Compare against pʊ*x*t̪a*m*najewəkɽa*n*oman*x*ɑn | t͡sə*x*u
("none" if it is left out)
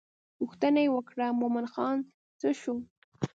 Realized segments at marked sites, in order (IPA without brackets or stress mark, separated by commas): x, none, m, x, ʃ